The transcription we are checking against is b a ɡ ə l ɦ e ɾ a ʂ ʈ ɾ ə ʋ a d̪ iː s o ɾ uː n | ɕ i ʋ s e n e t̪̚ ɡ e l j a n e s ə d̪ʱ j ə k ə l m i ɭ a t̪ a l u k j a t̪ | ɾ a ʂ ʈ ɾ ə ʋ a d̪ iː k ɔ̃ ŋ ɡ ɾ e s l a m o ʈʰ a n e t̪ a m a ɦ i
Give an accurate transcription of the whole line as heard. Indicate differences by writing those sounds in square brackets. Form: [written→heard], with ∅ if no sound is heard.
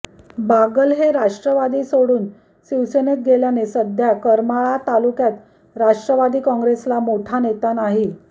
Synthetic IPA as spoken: b a ɡ ə l ɦ e ɾ a ʂ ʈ ɾ ə ʋ a d̪ iː s o [ɾ→ɽ] uː n | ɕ i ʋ s e n e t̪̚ ɡ e l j a n e s ə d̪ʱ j [ə→a] k ə [l→ɾ] m [i→a] ɭ a t̪ a l u k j a t̪ | ɾ a ʂ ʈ ɾ ə ʋ a d̪ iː k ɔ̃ ŋ ɡ ɾ e s l a m o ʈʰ a n e t̪ a [m→n] a ɦ i